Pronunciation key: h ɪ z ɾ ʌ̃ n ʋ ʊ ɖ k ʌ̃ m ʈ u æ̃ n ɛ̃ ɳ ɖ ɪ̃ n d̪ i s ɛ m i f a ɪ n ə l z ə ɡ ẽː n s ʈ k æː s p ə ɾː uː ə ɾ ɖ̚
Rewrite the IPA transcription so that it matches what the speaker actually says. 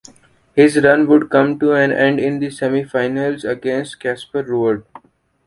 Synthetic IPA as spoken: h ɪ z ɾ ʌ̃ n ʋ ʊ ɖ k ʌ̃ m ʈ u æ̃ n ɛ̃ ɳ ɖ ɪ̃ n d̪ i s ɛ m i f a ɪ n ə l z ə ɡ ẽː n s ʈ k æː s p ə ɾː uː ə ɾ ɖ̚